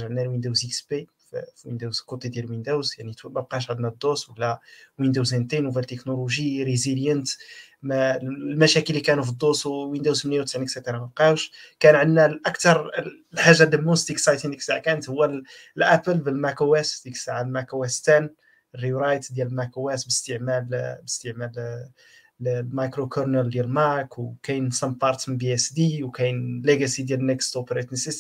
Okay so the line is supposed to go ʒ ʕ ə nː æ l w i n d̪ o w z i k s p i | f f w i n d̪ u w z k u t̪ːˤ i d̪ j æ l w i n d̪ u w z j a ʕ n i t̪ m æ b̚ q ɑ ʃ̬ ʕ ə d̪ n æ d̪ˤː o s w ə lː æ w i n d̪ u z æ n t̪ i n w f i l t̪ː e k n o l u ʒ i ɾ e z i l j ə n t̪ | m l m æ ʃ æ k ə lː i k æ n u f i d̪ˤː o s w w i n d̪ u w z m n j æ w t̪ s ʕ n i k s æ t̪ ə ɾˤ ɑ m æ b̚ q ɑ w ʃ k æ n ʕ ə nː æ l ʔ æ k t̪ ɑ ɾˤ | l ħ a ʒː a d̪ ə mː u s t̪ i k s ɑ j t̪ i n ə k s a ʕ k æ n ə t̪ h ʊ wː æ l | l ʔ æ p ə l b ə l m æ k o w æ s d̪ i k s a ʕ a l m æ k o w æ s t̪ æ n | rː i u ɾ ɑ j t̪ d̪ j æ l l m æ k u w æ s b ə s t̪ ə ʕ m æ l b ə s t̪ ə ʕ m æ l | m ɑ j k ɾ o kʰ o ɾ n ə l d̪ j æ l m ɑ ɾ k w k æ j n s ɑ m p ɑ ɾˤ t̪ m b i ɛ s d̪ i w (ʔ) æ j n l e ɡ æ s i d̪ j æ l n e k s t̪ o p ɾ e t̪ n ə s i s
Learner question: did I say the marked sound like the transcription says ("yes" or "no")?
no